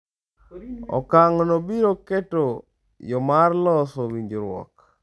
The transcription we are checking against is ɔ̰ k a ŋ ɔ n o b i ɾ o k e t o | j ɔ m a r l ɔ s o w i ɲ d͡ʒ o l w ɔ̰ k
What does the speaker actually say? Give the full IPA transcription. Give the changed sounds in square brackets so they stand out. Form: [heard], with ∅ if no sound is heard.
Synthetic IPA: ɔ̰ k a ŋ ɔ n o b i ɾ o k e t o | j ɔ m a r l ɔ s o w i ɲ d͡ʒ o [ɾ] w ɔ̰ k